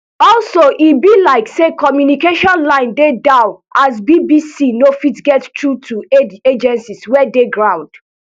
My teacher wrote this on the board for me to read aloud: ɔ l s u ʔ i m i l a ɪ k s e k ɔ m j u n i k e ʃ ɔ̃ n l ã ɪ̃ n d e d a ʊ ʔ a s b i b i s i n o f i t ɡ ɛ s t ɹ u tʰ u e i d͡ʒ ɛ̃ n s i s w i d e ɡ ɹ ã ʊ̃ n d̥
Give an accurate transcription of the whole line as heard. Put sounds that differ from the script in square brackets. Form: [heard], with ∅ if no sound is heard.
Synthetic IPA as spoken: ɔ l s [o] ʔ i [b] i l a ɪ k s e k ɔ m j u n i k e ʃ ɔ̃ n l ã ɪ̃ n d e d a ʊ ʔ a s b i b i s i n o f i t ɡ ɛ [t] t ɹ u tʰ u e [e] d͡ʒ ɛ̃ n s i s w [ɛ] d e ɡ ɹ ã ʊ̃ n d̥